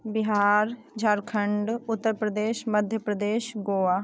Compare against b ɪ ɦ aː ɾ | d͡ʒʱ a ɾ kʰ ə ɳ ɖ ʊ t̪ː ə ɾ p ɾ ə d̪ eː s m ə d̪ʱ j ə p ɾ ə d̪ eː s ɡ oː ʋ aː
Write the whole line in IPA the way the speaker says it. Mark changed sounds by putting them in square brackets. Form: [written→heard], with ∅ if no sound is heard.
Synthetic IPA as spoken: b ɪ ɦ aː ɾ | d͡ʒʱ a ɾ kʰ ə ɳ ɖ ʊ t̪ː ə ɾ p ɾ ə d̪ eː [s→ʃ] m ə d̪ʱ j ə p ɾ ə d̪ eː [s→ʃ] ɡ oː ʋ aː